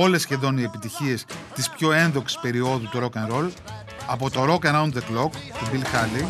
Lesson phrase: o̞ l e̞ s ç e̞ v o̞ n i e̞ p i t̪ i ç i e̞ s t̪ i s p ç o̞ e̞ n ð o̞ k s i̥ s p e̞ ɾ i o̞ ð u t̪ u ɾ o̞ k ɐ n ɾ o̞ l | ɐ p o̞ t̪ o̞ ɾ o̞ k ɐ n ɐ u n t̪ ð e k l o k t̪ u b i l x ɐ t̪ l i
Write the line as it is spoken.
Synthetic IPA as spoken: o̞ l e̞ s ç e̞ ð o̞ n i e̞ p i t̪ i ç i e̞ s t̪ i s p ç o̞ e̞ n ð o̞ k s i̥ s p e̞ ɾ i o̞ ð u t̪ u ɾ o̞ k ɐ n ɾ o̞ l | ɐ p o̞ t̪ o̞ ɾ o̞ k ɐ n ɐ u n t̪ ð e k l o k t̪ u b i l x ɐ l i